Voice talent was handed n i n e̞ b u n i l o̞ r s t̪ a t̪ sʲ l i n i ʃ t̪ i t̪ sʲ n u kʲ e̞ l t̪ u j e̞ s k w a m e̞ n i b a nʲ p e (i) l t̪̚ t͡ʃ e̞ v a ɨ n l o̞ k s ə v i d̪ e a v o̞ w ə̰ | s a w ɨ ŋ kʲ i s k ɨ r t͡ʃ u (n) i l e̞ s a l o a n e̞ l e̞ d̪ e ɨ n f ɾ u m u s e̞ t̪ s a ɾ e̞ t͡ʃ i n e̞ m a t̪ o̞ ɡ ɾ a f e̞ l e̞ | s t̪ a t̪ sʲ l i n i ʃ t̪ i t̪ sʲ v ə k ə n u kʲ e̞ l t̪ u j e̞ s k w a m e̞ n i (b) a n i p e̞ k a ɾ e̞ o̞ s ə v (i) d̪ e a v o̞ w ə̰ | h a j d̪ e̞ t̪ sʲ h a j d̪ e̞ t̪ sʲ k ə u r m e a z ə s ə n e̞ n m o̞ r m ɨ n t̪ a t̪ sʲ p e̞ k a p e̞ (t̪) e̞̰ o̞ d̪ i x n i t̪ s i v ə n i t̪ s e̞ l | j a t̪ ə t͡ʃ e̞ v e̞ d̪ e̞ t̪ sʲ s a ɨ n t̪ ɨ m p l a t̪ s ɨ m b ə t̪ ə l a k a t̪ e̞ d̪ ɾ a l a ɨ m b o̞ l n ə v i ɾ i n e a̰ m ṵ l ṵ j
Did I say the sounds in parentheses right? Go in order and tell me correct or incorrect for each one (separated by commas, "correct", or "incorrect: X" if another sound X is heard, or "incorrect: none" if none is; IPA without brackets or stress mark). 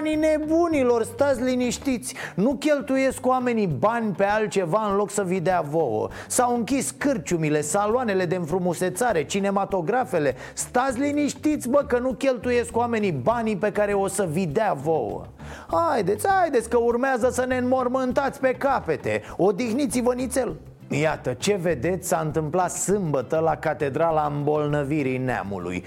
incorrect: a, incorrect: m, correct, correct, correct